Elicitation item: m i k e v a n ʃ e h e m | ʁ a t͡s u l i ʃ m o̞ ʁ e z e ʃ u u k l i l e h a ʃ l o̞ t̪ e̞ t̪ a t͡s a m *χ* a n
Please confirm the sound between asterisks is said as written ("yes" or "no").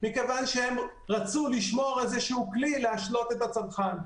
yes